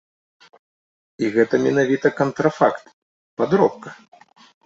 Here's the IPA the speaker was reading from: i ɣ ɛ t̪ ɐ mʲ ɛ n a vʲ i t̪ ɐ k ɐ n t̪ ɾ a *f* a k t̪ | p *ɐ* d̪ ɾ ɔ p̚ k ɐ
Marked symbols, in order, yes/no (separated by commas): yes, no